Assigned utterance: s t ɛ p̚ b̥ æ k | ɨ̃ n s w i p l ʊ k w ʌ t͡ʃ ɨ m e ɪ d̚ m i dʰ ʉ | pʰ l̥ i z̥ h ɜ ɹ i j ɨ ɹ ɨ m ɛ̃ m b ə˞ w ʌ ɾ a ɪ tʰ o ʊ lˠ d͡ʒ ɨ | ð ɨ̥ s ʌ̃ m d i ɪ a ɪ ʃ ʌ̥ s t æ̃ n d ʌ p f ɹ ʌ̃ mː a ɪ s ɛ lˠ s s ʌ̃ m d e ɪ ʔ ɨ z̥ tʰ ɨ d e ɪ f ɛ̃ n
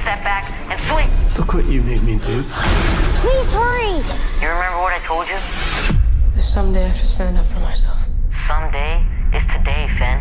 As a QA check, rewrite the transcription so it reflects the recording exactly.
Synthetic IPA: s t ɛ p̚ b̥ æ k | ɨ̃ n s w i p l ʊ k w ʌ t͡ʃ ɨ m e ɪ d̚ m i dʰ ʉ | pʰ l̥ i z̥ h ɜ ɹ i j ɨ ɹ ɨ m ɛ̃ m b ə˞ w ʌ ɾ a ɪ tʰ o ʊ lˠ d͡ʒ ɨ | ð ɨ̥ s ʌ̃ m d e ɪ a ɪ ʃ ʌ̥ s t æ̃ n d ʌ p f ɹ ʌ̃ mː a ɪ s ɛ lˠ f s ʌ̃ m d e ɪ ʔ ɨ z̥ tʰ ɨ d e ɪ f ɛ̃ n